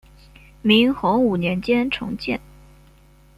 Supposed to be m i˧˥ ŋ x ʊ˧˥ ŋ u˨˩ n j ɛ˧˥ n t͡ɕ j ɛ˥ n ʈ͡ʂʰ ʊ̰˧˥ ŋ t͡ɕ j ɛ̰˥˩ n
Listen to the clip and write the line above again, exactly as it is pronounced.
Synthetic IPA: m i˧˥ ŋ x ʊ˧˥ ŋ u˨˩ n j ɛ˧˥ n t͡ɕ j ɛ˥ n ʈ͡ʂʰ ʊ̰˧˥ ŋ t͡ɕ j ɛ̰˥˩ n